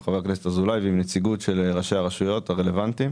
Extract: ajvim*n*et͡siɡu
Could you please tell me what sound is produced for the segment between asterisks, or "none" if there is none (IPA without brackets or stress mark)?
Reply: n